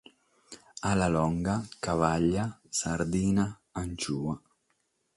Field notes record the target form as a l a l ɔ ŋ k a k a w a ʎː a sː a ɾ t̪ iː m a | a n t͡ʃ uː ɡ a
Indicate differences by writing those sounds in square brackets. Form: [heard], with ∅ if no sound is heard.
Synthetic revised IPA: a l a l ɔ ŋ [ɡ] a k a [v] a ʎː a [s] a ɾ [d̪] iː [n] a | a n t͡ʃ uː [∅] a